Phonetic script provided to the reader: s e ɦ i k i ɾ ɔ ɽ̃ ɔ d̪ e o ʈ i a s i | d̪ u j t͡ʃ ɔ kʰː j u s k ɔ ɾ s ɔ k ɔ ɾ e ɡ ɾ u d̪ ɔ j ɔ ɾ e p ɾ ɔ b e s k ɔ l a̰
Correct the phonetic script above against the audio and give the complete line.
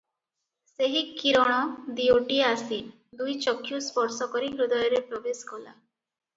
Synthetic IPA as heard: s e ɦ i k i ɾ ɔ ɽ̃ ɔ d̪ i o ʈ i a s i | d̪ u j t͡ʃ ɔ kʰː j u s p ɔ ɾ s ɔ k ɔ ɾ i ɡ ɾ u d̪ ɔ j ɔ ɾ e p ɾ ɔ b e s k ɔ l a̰